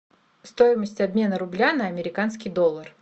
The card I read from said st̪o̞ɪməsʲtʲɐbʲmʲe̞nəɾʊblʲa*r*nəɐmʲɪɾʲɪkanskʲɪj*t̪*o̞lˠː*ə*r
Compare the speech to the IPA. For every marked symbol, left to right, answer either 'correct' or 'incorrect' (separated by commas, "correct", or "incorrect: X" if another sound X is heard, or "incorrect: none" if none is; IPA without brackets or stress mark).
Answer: incorrect: none, incorrect: d̪, correct